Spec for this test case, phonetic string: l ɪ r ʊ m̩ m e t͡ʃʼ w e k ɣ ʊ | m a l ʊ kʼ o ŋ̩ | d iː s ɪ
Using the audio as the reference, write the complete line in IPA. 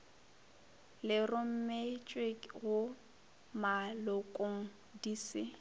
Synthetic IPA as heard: l ɪ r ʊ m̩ m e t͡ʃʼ w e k ɣ ʊ | m a l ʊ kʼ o ŋ̩ | d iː s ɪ